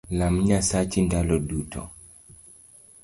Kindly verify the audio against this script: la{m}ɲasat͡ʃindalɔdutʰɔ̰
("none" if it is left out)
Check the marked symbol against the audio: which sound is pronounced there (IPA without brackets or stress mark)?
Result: m